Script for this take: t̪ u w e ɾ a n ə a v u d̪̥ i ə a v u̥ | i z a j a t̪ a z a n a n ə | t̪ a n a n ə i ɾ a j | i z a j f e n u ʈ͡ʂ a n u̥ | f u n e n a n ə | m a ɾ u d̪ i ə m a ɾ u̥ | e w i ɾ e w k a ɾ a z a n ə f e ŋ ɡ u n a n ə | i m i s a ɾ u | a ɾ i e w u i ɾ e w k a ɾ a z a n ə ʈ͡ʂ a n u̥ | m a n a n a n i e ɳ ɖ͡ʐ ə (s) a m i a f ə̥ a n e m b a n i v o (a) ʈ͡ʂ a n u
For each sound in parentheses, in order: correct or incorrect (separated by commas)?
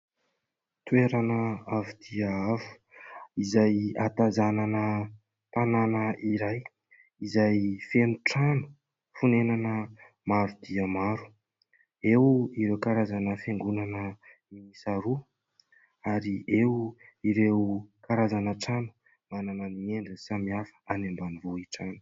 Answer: correct, incorrect